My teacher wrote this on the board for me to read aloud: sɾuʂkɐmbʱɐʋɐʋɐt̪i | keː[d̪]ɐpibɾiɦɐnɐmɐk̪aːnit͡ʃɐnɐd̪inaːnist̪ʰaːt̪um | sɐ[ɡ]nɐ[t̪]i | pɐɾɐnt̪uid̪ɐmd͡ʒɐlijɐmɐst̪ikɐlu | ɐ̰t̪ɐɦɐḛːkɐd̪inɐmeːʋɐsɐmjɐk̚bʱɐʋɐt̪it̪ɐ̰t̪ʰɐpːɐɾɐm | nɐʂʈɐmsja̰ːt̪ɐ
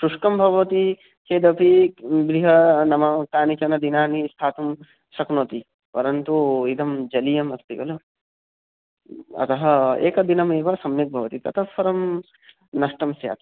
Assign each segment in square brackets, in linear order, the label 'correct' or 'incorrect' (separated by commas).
correct, incorrect, correct